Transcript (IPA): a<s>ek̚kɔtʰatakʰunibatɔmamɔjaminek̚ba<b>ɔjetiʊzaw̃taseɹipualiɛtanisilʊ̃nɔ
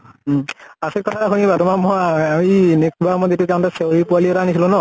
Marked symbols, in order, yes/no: yes, no

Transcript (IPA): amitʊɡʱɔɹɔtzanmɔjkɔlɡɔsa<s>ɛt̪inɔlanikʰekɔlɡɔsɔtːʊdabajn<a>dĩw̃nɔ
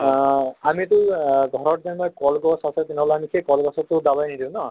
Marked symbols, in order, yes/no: yes, no

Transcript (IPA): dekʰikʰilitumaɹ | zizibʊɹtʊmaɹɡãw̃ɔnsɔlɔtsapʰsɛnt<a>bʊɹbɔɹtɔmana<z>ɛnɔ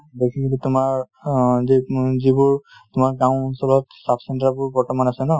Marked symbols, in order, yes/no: yes, no

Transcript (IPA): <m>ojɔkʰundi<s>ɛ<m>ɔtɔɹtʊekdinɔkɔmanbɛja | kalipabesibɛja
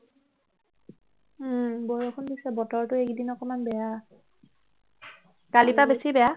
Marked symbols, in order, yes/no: no, yes, no

